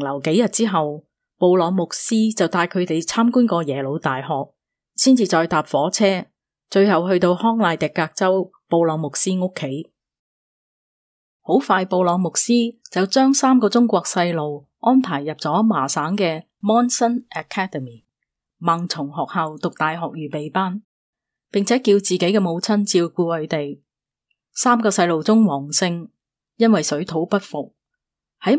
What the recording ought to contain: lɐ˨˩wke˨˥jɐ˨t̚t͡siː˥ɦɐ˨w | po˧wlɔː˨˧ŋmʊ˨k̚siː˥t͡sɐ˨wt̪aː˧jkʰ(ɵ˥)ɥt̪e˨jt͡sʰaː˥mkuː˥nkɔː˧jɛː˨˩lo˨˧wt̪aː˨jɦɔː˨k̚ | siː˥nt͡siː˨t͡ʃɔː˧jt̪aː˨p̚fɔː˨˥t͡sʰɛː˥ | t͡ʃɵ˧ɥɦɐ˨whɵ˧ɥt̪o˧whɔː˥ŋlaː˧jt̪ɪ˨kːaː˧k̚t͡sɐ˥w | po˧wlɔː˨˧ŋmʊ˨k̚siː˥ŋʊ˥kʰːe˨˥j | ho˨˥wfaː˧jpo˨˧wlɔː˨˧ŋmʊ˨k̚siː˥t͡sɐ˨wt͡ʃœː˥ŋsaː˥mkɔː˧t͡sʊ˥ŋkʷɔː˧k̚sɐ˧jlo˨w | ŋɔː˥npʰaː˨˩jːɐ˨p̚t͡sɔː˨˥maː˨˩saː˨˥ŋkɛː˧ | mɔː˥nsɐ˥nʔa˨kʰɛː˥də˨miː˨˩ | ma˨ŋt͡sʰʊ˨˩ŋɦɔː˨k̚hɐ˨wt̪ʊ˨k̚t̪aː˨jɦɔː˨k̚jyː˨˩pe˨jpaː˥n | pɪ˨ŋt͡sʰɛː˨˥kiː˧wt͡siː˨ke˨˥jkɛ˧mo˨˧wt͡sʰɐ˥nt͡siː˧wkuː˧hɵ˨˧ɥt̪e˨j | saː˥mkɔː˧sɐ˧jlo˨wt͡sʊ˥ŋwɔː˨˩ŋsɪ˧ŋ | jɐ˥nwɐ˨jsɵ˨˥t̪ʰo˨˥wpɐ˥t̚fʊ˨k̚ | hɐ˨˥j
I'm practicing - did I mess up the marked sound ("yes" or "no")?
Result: yes